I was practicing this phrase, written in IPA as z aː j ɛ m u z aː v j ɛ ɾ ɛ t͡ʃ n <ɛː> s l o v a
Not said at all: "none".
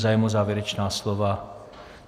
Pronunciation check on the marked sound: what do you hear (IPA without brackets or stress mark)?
aː